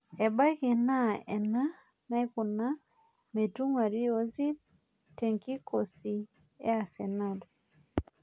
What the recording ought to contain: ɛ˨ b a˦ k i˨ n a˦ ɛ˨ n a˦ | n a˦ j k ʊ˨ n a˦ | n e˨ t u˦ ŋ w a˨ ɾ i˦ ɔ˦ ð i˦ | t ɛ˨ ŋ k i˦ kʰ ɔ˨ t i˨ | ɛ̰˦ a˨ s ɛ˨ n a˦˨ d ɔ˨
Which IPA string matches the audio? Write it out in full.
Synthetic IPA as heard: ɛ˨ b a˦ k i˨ n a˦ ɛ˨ n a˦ | n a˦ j k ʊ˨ n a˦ | m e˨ t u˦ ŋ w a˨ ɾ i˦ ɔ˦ z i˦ | t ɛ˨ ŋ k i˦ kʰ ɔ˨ s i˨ | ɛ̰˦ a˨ s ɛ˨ n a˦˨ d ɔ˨